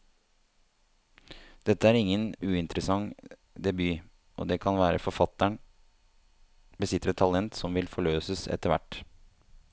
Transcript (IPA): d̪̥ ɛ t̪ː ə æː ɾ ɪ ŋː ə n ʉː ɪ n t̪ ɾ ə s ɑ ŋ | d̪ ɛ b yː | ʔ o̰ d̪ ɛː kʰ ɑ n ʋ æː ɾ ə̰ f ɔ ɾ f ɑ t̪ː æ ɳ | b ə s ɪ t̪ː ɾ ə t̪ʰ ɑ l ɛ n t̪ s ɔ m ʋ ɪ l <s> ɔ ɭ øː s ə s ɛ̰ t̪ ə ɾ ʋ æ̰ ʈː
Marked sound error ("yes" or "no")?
yes